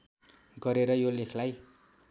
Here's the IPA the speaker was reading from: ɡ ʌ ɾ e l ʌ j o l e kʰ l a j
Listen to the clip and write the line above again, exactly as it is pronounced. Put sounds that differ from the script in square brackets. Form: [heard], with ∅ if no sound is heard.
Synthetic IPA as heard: ɡ ʌ ɾ e [ɾ] ʌ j o l e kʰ l a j